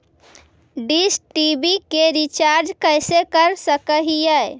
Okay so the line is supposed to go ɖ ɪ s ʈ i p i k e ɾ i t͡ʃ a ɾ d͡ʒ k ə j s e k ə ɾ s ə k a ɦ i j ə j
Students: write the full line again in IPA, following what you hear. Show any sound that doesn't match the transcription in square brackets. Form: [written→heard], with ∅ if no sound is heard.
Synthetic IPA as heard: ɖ [ɪ→i] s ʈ i [p→b] i k e ɾ i t͡ʃ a ɾ d͡ʒ k ə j s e k ə ɾ s ə k [a→ə] ɦ i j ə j

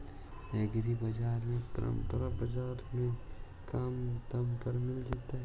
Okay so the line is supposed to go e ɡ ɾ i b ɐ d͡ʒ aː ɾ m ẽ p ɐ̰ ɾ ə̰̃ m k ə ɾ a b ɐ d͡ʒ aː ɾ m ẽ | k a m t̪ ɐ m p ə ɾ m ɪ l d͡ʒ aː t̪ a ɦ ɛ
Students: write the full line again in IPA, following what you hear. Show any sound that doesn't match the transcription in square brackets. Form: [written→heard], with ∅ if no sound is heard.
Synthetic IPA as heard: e ɡ ɾ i b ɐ d͡ʒ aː ɾ m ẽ p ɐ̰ ɾ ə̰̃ m [k→p] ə ɾ a b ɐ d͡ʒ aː ɾ m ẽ | k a m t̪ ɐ m p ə ɾ m ɪ l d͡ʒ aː t̪ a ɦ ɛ

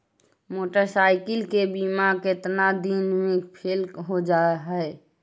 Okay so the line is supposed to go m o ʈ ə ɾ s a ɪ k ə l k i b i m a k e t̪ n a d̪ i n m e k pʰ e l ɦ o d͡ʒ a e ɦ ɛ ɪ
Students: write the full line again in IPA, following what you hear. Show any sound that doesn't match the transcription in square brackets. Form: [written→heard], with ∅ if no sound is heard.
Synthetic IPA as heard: m o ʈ ə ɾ s a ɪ k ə l k [i→e] b i m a k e t̪ n a d̪ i n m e k pʰ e l ɦ o d͡ʒ a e ɦ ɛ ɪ

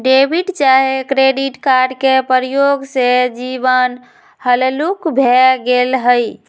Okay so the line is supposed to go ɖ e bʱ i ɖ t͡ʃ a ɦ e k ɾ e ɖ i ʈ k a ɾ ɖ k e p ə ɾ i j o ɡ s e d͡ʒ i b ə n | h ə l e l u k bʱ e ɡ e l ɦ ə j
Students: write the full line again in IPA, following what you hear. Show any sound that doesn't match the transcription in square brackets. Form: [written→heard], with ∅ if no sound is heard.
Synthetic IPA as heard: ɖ e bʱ i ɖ t͡ʃ a ɦ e k ɾ e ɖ i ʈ k a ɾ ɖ k e p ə ɾ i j o ɡ s e d͡ʒ i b ə n | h ə l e l u k bʱ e ɡ e l ɦ ə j

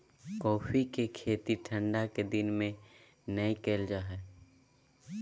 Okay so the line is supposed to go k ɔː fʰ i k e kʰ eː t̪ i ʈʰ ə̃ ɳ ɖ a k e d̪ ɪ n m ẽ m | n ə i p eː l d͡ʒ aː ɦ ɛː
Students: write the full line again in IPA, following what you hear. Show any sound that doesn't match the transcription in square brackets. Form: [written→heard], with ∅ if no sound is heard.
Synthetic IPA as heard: k ɔː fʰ i k e kʰ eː t̪ i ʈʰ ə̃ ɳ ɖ a k e d̪ ɪ n m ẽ [m→∅] | n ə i [p→k] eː l d͡ʒ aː ɦ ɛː

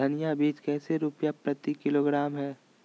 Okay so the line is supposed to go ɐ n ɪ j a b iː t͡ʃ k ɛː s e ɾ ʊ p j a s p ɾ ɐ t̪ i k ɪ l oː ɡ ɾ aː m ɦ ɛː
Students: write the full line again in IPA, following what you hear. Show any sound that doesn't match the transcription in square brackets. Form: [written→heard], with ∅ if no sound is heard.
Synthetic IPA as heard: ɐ n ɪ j a b iː t͡ʃ k ɛː s e ɾ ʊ p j a [s→∅] p ɾ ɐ t̪ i k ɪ l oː ɡ ɾ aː m ɦ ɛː

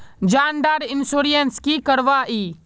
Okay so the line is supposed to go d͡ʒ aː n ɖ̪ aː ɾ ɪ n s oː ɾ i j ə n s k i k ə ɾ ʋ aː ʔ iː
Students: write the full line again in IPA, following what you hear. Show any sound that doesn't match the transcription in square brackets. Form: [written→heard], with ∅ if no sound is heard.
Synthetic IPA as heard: d͡ʒ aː n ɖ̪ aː ɾ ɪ n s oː ɾ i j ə n s k i k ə ɾ ʋ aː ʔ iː

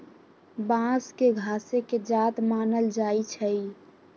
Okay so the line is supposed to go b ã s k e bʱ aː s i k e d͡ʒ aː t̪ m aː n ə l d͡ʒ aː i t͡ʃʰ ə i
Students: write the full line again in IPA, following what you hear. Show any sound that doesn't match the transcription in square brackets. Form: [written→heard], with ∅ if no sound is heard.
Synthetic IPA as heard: b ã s k e [bʱ→ɡʱ] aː s [i→e] k e d͡ʒ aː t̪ m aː n ə l d͡ʒ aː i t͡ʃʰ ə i

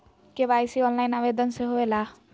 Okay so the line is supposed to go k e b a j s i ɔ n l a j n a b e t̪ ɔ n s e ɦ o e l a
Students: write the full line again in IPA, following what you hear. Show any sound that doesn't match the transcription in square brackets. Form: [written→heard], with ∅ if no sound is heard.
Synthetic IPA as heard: k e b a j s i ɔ n l a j n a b e [t̪→d̪] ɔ n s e ɦ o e l a

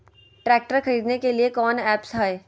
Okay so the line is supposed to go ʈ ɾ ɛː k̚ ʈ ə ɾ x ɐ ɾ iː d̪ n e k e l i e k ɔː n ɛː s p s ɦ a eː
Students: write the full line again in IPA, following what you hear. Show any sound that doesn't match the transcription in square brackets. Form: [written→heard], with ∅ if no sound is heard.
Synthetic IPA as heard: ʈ ɾ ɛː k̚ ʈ ə ɾ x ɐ ɾ iː d̪ n e k e l i e k ɔː n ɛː [s→∅] p s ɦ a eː

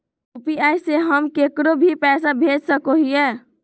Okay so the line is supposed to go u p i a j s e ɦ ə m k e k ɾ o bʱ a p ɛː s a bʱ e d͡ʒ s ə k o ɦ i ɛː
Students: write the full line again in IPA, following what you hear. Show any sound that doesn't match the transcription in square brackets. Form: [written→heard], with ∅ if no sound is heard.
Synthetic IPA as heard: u p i a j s e ɦ ə m k e k ɾ o bʱ [a→i] p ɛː s a bʱ e d͡ʒ s ə k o ɦ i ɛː

